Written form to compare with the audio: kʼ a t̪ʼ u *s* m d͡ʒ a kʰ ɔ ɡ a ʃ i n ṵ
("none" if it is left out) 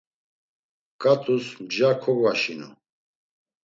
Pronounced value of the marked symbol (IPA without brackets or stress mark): s